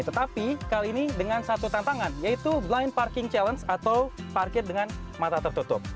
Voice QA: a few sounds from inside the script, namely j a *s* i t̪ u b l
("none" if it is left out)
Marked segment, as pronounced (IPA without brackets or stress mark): none